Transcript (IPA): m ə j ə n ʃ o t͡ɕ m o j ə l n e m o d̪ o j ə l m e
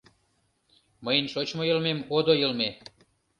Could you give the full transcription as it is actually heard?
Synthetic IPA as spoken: m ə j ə n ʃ o t͡ɕ m o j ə l m e m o d̪ o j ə l m e